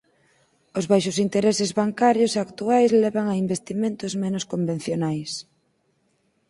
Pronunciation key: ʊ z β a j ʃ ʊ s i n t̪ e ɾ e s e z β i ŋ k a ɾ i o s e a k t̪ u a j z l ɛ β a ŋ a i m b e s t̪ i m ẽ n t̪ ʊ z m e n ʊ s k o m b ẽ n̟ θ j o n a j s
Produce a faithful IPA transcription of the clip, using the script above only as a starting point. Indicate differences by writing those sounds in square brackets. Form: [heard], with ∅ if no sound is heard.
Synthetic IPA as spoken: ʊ z β a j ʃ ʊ s i n t̪ e ɾ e s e z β [a] ŋ k a ɾ [j] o s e a k t̪ u a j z l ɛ β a ŋ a i m b e s t̪ i m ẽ n t̪ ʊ z m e n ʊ s k o m b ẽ n̟ θ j o n a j s